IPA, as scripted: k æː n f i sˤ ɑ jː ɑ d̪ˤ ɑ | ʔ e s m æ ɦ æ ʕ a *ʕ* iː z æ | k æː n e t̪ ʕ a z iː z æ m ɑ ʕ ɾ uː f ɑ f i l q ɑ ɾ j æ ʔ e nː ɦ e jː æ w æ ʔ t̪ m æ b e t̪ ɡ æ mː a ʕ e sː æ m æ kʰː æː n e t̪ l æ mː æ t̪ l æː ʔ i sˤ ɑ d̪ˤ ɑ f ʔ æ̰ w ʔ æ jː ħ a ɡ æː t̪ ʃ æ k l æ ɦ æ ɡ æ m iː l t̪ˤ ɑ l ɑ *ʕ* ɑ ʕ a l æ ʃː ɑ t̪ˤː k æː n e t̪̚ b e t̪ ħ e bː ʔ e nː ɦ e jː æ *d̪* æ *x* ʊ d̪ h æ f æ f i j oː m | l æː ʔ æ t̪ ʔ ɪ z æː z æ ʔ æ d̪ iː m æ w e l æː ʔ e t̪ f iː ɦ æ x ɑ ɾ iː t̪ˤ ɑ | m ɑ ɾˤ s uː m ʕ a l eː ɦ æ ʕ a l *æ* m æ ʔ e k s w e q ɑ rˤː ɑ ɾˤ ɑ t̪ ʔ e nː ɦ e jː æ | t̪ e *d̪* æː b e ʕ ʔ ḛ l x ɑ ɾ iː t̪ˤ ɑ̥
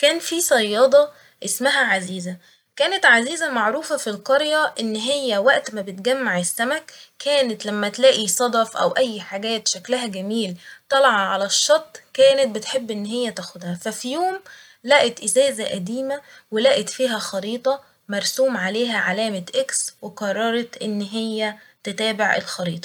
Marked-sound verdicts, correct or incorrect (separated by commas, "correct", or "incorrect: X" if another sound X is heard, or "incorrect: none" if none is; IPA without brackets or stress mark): incorrect: z, correct, incorrect: t̪, correct, incorrect: æː, incorrect: t̪